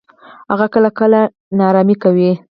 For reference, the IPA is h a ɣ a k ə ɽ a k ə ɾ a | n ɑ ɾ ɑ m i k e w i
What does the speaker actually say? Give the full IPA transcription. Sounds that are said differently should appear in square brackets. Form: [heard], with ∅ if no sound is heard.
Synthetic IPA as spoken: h a ɣ a k ə [l] a k ə [l] a | n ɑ ɾ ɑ m i k [a] w i